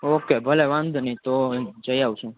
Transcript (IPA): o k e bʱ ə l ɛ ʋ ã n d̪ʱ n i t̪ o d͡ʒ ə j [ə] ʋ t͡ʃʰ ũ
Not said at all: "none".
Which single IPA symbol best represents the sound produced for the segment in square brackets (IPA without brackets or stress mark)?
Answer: a